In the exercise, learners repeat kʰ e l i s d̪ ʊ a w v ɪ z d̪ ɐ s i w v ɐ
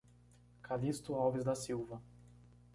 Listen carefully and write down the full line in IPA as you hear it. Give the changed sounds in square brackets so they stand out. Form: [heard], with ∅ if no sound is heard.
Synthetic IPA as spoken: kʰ [a] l i s [t̪] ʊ a w v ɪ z d̪ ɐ s i w v ɐ